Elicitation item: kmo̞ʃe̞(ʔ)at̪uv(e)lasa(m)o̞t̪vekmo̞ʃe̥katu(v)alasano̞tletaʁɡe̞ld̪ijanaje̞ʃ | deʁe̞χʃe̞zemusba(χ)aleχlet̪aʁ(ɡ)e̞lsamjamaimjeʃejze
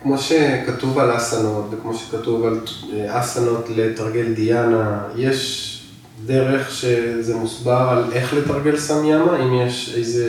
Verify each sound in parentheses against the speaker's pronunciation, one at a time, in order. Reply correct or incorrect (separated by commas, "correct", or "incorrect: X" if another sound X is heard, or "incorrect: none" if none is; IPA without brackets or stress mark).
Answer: incorrect: k, incorrect: a, incorrect: n, correct, incorrect: ʁ, correct